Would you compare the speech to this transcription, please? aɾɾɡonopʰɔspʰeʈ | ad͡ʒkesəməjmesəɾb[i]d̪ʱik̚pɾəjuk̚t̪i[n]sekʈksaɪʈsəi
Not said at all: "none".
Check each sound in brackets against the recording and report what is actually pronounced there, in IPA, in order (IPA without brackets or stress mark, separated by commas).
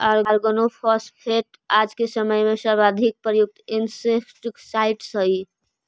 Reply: a, n